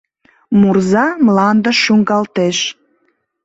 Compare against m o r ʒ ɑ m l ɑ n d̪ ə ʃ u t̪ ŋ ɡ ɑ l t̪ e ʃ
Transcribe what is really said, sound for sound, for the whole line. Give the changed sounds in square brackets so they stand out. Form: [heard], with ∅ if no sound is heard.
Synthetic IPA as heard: m [u] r [z] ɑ m l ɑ n d̪ ə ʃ u [∅] ŋ ɡ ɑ l t̪ e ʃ